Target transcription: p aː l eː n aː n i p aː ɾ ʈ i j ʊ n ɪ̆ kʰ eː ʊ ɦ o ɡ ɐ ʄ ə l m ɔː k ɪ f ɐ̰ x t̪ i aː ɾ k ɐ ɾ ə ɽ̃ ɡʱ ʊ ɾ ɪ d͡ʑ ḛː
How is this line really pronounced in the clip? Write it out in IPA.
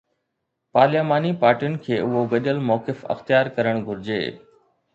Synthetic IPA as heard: p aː l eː m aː n i p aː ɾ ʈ i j ʊ n ɪ̆ kʰ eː ʊ ɦ o ɡ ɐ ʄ ə l m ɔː k ɪ f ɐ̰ x t̪ j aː ɾ k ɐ ɾ ə ɽ̃ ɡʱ ʊ ɾ ɪ d͡ʑ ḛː